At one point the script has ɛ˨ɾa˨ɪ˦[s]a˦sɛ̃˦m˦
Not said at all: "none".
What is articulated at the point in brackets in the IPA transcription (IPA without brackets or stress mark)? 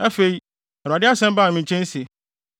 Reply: none